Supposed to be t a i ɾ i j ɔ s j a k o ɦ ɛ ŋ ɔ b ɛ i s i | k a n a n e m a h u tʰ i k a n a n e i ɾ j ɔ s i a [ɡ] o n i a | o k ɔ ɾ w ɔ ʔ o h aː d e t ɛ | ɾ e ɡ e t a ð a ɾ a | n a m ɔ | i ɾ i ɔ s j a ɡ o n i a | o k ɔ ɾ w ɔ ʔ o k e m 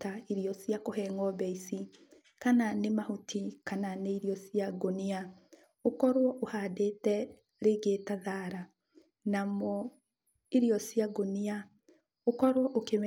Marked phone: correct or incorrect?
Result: correct